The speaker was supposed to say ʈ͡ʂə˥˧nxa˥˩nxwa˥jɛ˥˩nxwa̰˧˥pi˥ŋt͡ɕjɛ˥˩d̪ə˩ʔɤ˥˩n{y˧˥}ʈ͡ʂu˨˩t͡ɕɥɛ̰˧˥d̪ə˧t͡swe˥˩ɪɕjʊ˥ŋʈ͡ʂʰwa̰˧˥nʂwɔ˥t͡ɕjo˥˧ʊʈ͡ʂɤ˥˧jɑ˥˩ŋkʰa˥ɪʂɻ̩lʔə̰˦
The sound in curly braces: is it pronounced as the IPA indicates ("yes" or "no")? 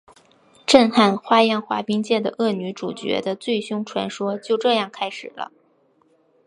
yes